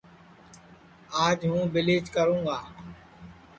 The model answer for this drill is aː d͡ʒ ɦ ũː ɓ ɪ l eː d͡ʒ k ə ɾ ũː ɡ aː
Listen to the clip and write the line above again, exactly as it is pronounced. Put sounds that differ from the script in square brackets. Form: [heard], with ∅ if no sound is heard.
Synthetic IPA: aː d͡ʒ ɦ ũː [b] ɪ l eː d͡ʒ k ə ɾ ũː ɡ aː